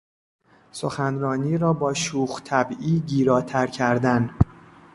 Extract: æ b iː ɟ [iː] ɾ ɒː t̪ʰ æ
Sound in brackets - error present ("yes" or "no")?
no